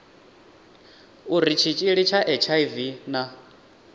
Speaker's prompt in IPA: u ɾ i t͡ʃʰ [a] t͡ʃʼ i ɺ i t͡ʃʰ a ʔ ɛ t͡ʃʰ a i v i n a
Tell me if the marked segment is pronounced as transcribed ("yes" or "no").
no